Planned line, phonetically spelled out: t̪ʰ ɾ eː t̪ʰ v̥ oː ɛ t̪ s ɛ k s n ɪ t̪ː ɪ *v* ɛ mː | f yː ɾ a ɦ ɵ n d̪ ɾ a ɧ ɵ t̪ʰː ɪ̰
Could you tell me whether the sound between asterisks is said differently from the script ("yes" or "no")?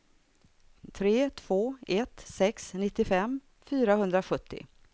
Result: yes